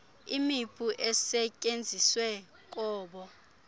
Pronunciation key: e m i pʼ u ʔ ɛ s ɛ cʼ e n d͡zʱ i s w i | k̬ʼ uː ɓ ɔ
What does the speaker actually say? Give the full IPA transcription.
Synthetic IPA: i m i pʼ u ʔ ɛ s ɛ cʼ e n d͡zʱ i s w ɛ | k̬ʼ ɔː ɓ ɔ

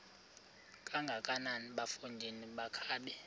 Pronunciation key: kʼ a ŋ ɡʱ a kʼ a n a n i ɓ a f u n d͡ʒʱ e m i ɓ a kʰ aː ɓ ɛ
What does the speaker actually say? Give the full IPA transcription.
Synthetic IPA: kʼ a ŋ ɡʱ a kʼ a n a n i ɓ a f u n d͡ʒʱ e n i ɓ a kʰ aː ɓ ɛ

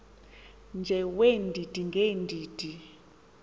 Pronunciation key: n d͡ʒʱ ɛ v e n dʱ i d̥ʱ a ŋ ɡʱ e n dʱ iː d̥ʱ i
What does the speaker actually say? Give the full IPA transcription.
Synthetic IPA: n d͡ʒʱ ɛ w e n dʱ i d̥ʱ i ŋ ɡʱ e n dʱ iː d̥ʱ i

